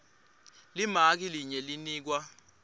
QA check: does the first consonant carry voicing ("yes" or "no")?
yes